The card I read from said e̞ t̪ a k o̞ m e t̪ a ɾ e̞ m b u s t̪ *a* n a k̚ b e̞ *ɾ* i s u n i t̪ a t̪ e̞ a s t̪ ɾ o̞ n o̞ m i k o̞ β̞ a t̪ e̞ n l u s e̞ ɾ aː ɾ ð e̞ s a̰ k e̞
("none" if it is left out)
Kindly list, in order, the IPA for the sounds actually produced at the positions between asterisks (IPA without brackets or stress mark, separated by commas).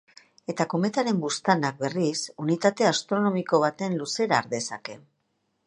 a, r